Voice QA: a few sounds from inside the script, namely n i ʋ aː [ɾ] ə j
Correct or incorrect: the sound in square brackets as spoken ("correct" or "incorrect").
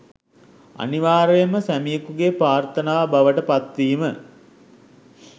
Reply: correct